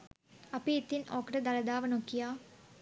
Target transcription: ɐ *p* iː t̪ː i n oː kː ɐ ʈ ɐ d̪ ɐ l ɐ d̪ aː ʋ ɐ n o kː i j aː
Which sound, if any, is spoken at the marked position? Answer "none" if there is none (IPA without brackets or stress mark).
p